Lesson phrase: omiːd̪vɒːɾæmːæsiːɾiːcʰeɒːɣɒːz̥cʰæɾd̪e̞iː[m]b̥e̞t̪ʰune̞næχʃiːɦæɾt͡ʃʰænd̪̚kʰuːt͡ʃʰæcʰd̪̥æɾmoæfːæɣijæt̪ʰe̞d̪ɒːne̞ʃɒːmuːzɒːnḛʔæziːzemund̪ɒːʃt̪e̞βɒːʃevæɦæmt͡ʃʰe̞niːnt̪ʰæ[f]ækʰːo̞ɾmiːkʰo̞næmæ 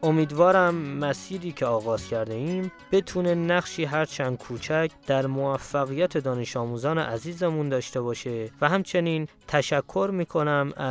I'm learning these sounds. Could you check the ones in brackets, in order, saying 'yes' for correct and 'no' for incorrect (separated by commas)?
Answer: yes, no